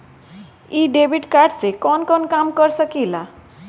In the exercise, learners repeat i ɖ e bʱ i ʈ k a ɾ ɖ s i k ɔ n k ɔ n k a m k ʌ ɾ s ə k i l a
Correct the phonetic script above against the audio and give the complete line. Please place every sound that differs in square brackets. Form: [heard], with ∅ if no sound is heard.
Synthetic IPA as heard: i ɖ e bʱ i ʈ k a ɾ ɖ s [e] k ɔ n k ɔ n k a m k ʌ ɾ s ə k i l a